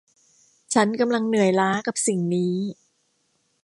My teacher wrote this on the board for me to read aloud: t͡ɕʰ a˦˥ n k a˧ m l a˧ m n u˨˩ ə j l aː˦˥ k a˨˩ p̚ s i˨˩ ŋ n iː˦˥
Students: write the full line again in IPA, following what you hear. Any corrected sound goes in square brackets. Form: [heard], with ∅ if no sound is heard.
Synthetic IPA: t͡ɕʰ a˦˥ n k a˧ m l a˧ [ŋ] n [ɯ˨˩] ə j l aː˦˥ k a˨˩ p̚ s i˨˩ ŋ n iː˦˥